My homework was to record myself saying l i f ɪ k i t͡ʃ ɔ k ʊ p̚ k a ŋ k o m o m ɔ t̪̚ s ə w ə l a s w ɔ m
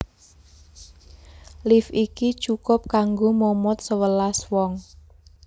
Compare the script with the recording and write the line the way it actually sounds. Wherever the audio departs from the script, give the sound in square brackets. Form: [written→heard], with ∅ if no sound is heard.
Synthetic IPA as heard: l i f [ɪ→i] k i t͡ʃ [ɔ→u] k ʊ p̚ k a ŋ [k→ɡ] o m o m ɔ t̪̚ s ə w ə l a s w ɔ [m→ŋ]